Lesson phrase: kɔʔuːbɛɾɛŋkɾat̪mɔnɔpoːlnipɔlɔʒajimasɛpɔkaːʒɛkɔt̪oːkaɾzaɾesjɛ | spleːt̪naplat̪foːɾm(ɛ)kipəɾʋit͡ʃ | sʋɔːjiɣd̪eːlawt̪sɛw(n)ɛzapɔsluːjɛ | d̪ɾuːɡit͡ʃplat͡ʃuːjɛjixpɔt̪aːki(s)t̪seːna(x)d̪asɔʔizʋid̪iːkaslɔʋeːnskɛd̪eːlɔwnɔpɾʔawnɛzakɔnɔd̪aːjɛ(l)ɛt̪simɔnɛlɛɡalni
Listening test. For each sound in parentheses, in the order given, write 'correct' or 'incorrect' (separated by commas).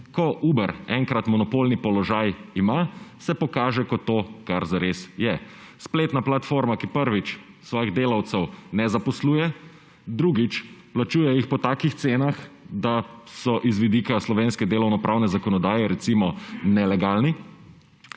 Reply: incorrect, correct, incorrect, correct, incorrect